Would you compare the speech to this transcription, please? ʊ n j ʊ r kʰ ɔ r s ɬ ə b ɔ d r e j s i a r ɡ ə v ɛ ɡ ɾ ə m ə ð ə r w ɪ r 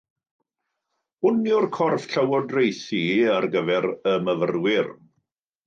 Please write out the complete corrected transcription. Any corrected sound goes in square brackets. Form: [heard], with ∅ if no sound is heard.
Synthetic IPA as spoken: ʊ n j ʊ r kʰ ɔ r [f] ɬ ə [w] ɔ d r e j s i a r ɡ ə v ɛ [∅] ɾ ə m ə [v] ə r w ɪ r

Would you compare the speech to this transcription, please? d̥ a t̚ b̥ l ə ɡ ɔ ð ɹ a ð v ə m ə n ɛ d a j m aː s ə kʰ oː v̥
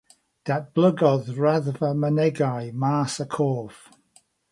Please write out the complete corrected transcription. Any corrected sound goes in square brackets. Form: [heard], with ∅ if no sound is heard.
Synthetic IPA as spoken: d̥ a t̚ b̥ l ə ɡ ɔ ð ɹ a ð v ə m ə n ɛ [ɡ] a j m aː s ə kʰ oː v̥

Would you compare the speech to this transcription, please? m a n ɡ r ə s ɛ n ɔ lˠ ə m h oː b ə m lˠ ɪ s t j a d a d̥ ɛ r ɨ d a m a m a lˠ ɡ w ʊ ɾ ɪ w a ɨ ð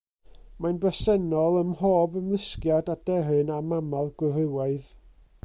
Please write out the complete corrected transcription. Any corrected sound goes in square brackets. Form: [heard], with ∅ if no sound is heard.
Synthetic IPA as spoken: m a n [b] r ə s ɛ n ɔ lˠ ə m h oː b ə m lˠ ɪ s [k] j a d a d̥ ɛ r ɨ [n] a m a m a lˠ ɡ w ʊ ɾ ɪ w a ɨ ð

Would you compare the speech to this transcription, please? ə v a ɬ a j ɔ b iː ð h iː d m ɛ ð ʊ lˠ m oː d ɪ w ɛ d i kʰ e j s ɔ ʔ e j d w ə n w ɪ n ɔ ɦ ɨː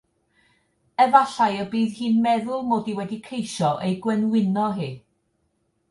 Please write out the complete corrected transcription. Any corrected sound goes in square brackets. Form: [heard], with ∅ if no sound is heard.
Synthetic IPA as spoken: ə v a ɬ a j ɔ b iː ð h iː [n] m ɛ ð ʊ lˠ m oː d [i] w ɛ d i kʰ e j [ʃ] ɔ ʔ e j [ɡ] w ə n w ɪ n ɔ ɦ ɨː

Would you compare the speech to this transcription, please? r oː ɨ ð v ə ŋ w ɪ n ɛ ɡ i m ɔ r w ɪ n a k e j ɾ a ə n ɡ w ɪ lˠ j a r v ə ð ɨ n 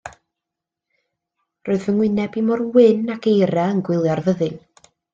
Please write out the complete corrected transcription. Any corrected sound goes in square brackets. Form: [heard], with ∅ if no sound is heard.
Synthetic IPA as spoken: r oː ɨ ð v ə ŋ w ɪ n ɛ [b] i m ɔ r w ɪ n a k e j ɾ a ə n ɡ w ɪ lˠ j a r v ə ð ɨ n

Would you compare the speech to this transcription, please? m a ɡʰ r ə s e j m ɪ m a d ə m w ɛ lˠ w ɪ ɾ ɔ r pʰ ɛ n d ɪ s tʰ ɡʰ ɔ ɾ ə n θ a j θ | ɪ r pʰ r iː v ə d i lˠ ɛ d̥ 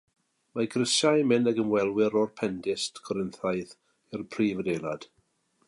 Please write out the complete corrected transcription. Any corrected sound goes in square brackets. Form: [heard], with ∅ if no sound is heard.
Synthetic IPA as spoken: m a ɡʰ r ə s [a] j m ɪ [n] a [ɡ] ə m w ɛ lˠ w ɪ ɾ ɔ r pʰ ɛ n d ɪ s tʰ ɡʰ ɔ ɾ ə n θ a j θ | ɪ r pʰ r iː v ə d [e] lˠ [a] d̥

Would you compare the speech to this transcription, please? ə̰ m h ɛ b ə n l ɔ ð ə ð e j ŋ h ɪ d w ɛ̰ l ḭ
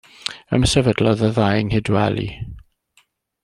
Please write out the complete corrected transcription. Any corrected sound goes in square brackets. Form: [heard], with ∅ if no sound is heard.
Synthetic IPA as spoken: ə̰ m [s] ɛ [v] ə [d] l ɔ ð ə ð [a] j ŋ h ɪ d w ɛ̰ l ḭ

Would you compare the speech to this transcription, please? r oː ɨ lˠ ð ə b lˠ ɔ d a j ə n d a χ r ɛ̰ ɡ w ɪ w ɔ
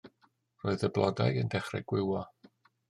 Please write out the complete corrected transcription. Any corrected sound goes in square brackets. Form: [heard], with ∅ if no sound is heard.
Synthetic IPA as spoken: r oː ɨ [∅] ð ə b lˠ ɔ d a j ə n d [ɛ] χ r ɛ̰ ɡ w ɪ w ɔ

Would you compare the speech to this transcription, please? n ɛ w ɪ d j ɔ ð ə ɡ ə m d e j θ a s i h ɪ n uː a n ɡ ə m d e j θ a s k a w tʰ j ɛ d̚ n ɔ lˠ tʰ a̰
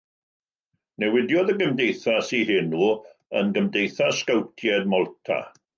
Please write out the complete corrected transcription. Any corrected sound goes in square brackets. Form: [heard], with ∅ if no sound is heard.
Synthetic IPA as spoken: n ɛ w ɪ d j ɔ ð ə ɡ ə m d e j θ a s i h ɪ n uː [ə] n ɡ ə m d e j θ a s k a w tʰ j ɛ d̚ [m] ɔ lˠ tʰ a̰

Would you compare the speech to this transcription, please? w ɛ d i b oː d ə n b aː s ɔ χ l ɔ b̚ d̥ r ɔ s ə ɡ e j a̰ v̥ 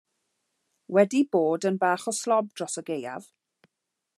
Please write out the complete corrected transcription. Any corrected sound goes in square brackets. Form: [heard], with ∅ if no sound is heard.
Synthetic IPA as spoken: w ɛ d i b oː d ə n b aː [χ] ɔ [s] l ɔ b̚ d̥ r ɔ s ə ɡ e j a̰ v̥

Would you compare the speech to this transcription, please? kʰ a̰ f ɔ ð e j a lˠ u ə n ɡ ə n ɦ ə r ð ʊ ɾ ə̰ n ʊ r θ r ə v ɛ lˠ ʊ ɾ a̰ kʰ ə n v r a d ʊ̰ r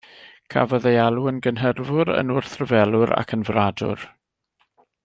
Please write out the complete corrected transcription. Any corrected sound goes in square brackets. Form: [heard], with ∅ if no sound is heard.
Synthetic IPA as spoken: kʰ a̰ [v] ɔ ð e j a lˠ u ə n ɡ ə n ɦ ə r [v] ʊ ɾ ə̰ n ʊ r θ r ə v ɛ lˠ ʊ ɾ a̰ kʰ ə n v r a d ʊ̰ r

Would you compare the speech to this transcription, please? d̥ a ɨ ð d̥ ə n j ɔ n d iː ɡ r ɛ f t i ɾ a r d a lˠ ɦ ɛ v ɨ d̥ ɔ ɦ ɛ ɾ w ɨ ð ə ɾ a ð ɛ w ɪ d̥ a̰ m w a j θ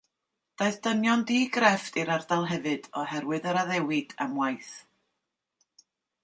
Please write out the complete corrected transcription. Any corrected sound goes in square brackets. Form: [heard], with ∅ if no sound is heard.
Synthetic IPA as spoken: d̥ a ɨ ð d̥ ə n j ɔ n d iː ɡ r ɛ f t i ɾ a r d a lˠ ɦ ɛ v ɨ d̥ ɔ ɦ ɛ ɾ w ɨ ð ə ɾ a ð ɛ w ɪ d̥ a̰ m w a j θ

